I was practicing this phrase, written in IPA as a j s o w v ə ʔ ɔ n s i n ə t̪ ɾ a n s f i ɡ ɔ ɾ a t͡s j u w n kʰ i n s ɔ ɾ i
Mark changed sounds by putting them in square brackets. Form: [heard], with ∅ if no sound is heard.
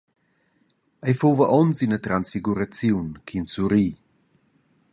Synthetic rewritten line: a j [f] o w v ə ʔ ɔ n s i n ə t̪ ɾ a n s f i ɡ [u] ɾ a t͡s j u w n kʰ i n s [u] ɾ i